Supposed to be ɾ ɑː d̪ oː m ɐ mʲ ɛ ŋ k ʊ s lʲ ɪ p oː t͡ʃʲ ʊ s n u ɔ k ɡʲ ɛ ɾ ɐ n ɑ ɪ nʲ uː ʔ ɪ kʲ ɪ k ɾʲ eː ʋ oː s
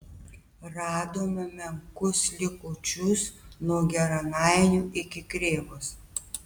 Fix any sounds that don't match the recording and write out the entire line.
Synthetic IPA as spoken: ɾ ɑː d̪ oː m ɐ mʲ ɛ ŋ k ʊ s lʲ ɪ k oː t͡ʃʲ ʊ s n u ɔ ɡʲ ɛ ɾ ɐ n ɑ ɪ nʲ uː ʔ ɪ kʲ ɪ k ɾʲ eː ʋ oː s